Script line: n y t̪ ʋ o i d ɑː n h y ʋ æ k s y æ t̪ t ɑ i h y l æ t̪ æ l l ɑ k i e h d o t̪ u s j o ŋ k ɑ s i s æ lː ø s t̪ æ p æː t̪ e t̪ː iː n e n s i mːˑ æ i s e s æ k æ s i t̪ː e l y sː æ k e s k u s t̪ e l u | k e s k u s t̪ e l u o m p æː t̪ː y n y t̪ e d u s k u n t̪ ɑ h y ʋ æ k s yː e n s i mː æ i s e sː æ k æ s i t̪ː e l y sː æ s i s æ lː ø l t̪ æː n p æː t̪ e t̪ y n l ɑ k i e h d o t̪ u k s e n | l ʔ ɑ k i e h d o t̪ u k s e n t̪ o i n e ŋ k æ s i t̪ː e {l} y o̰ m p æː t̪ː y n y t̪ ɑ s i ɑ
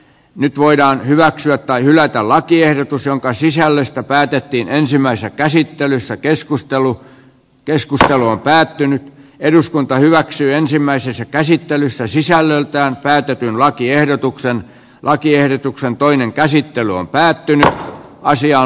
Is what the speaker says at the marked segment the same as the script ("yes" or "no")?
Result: yes